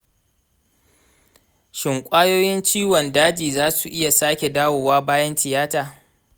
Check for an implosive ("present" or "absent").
absent